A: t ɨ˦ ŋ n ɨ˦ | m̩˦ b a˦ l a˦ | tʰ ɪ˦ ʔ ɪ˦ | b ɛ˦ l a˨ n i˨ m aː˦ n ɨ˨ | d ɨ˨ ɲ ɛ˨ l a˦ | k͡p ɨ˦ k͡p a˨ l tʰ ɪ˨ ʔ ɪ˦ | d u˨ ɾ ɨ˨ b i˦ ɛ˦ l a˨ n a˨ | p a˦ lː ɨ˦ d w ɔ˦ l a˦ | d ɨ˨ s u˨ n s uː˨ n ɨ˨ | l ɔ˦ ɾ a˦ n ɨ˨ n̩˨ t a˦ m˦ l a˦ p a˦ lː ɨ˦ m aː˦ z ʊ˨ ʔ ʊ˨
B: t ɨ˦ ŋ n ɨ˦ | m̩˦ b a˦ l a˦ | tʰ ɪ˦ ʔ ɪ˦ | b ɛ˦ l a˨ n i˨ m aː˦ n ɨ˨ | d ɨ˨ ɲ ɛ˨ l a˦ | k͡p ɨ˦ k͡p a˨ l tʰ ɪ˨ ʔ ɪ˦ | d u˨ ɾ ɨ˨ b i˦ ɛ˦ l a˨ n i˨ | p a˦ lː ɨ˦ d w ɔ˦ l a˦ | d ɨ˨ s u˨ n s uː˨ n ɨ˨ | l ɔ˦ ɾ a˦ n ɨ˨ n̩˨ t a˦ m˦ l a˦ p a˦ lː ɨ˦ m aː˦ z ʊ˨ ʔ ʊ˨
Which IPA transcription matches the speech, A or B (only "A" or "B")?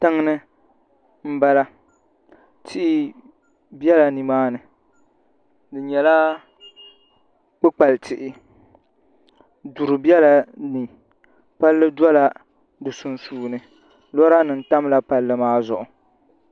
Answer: B